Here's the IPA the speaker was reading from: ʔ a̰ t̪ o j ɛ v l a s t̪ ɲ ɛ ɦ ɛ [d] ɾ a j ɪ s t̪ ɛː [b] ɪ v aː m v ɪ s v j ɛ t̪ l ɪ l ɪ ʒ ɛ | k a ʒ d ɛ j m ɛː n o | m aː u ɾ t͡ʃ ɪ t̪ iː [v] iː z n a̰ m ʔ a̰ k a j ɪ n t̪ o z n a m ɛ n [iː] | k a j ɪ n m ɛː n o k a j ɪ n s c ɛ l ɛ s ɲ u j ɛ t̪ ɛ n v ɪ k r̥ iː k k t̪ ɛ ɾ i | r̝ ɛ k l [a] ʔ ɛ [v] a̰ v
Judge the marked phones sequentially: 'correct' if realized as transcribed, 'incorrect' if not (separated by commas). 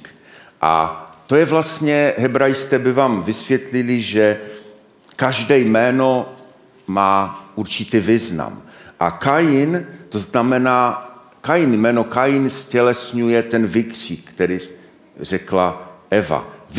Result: incorrect, correct, correct, incorrect, correct, correct